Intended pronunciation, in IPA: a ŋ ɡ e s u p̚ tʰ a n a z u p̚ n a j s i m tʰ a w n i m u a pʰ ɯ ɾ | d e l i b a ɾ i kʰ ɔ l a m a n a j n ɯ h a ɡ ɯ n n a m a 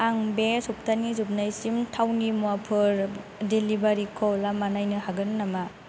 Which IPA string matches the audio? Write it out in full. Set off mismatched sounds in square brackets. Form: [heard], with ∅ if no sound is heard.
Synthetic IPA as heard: a ŋ [b] e s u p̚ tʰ a n [i] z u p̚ n a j s i m tʰ a w n i m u a pʰ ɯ ɾ | d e l i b a ɾ i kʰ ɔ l a m a n a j n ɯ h a ɡ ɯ n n a m a